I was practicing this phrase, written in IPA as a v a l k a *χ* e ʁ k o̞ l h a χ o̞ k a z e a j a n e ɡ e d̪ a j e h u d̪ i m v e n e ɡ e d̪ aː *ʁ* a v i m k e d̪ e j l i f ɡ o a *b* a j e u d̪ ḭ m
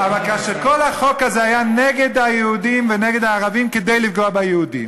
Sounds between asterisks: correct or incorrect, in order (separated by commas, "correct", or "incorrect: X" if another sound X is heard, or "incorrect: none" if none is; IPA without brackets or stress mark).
incorrect: ʃ, correct, correct